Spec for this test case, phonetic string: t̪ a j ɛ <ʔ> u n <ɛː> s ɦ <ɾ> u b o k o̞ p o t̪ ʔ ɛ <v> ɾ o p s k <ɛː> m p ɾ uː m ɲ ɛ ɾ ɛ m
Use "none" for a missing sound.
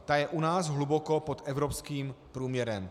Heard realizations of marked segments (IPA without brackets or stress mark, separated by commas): ʔ, aː, l, v, iː